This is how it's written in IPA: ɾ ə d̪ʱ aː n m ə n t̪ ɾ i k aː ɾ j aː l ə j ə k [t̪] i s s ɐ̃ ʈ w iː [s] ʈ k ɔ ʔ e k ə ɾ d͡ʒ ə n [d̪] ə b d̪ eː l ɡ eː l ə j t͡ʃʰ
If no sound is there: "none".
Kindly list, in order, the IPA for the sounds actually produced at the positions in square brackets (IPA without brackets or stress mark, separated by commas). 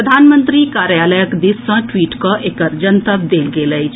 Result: d̪, none, t̪